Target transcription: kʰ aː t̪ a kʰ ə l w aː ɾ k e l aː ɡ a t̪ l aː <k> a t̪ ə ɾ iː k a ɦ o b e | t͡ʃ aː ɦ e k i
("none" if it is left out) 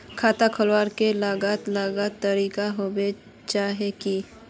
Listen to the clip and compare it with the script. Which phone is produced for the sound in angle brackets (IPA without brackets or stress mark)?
ɡ